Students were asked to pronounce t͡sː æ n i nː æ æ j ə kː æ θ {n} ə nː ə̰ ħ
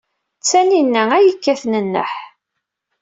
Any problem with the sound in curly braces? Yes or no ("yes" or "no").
no